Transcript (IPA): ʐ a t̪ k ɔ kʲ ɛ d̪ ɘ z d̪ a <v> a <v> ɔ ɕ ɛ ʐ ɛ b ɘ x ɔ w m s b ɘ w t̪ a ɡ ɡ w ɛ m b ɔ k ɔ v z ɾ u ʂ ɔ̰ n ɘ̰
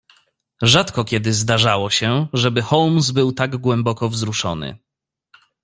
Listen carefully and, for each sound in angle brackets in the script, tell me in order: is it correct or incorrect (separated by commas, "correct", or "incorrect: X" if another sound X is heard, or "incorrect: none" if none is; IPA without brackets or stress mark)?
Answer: incorrect: ʐ, incorrect: w